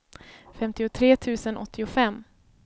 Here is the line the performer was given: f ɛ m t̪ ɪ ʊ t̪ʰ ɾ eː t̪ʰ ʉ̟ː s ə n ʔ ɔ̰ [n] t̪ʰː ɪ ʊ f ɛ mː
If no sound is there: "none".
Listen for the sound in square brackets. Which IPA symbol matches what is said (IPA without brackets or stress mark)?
none